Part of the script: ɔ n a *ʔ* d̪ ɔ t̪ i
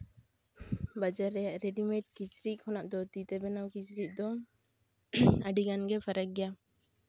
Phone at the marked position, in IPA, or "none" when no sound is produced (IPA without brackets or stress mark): ʔ